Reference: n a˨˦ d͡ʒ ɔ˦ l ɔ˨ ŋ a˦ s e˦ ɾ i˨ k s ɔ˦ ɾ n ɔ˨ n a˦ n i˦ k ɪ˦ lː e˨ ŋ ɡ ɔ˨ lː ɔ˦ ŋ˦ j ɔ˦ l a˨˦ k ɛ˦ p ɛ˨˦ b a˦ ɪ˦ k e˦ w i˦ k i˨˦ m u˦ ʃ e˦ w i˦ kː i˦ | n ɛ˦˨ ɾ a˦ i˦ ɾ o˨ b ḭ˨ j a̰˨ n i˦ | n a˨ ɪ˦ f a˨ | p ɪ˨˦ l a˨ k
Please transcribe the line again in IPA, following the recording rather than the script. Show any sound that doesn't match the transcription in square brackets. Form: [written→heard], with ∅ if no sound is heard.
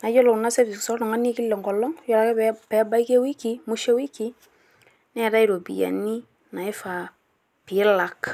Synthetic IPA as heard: n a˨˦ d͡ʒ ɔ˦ l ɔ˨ [ŋ→n] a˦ s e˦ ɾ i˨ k s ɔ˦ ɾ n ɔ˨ [n→ŋ] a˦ n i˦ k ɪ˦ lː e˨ ŋ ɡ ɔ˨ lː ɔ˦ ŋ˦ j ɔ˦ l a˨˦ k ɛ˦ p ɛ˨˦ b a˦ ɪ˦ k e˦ w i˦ k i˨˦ m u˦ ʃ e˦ w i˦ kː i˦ | n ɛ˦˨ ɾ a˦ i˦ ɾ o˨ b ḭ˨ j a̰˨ n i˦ | n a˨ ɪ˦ f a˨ | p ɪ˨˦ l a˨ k